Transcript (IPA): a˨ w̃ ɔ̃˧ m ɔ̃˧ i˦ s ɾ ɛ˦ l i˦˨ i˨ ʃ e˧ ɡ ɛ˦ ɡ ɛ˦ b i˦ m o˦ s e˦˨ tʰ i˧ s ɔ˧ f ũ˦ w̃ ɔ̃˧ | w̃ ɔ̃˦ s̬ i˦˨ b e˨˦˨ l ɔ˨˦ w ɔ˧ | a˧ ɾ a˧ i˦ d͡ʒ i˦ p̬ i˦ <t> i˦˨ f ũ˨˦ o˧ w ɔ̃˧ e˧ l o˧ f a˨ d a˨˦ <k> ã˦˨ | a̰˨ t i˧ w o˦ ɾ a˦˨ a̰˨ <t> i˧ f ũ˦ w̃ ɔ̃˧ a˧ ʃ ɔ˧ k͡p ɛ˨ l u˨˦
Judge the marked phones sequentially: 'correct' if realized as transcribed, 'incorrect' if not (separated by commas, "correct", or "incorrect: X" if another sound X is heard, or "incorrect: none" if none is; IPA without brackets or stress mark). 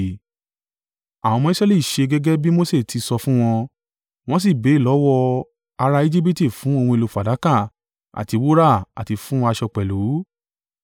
correct, correct, correct